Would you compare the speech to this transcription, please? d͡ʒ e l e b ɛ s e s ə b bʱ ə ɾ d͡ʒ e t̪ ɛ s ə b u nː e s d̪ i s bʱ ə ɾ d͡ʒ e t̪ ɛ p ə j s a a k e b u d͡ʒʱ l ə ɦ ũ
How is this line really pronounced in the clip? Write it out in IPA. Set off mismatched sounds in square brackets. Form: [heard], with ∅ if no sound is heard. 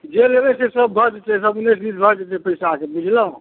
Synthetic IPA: d͡ʒ e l e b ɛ s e s ə b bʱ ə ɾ d͡ʒ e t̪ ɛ s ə b u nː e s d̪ i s bʱ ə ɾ d͡ʒ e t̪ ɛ p ə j s a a k e b u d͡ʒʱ l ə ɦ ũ